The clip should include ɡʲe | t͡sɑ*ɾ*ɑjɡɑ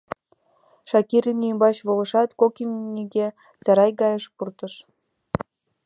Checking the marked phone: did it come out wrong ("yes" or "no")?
no